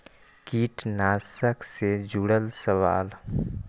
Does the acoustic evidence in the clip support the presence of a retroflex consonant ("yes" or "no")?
yes